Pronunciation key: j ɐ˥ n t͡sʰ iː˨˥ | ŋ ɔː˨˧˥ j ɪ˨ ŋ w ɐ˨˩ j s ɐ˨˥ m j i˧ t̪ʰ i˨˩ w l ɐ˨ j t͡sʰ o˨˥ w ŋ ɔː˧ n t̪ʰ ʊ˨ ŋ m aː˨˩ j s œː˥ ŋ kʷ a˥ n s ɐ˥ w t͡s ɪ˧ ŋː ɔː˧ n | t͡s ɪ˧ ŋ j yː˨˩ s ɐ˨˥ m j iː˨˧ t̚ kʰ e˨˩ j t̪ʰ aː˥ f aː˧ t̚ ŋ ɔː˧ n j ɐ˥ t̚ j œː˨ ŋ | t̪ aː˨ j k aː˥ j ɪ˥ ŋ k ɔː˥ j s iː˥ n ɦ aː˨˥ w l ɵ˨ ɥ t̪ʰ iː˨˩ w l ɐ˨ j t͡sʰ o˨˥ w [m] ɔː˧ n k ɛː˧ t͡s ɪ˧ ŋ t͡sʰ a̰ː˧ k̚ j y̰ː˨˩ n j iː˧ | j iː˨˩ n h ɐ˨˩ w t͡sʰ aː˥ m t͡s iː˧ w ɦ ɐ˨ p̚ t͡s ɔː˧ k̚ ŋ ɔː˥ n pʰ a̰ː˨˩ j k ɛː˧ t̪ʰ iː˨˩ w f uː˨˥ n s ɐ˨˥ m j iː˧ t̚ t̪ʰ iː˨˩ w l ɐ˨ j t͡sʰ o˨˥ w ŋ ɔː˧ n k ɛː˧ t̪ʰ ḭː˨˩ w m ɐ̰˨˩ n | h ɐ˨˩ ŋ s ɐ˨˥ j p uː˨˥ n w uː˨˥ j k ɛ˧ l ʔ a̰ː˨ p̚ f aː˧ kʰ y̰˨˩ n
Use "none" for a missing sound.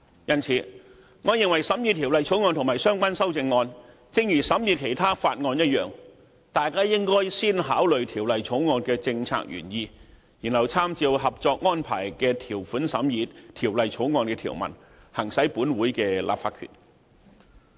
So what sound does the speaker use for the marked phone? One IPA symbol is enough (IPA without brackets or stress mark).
ŋ